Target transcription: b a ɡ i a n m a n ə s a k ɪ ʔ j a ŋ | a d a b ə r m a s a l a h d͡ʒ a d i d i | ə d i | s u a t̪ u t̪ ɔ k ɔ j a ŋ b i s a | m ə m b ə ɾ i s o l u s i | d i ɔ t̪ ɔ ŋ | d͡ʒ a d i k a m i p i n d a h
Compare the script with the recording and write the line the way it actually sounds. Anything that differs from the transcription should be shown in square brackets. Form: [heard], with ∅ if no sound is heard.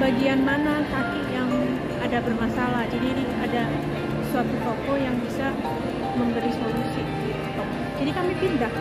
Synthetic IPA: b a ɡ i a n m a n [a] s a k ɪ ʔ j a ŋ | a d a b ə r m a s a l a h d͡ʒ a d i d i | [a] d [a] | s u a t̪ u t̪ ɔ k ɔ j a ŋ b i s a | m ə m b ə ɾ i s o l u s i | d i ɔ t̪ ɔ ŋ | d͡ʒ a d i k a m i p i n d a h

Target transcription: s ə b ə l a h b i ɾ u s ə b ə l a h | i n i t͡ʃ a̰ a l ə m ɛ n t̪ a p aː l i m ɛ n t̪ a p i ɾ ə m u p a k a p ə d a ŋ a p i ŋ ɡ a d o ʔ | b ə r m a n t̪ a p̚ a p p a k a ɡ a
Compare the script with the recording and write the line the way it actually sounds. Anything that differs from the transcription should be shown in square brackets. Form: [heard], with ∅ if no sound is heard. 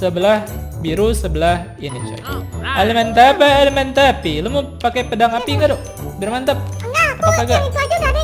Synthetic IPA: s ə b ə l a h b i ɾ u s ə b ə l a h | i n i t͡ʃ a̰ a l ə m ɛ n t̪ a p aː l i m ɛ n t̪ a p i [l] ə m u p a k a p ə d a ŋ a p i ŋ ɡ a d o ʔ | b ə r m a n t̪ a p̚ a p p a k a ɡ a

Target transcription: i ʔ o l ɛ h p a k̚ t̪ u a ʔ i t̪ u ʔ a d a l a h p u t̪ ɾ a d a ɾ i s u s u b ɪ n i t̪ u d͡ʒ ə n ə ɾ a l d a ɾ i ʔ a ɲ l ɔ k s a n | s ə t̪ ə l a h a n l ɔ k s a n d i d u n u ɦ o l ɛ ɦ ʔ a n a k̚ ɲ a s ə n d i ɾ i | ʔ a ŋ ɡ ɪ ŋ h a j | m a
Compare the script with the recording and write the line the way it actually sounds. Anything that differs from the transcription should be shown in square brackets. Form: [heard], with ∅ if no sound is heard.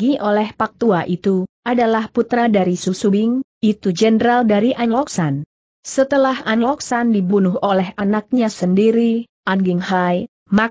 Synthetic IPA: i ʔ o l ɛ h p a k̚ t̪ u a ʔ i t̪ u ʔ a d a l a h p u t̪ ɾ a d a ɾ i s u s u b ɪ [ŋ] i t̪ u d͡ʒ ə n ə ɾ a l d a ɾ i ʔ a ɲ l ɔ k s a n | s ə t̪ ə l a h a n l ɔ k s a n d i [b] u n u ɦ o l ɛ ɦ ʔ a n a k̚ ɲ a s ə n d i ɾ i | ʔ a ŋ ɡ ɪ ŋ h a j | m a

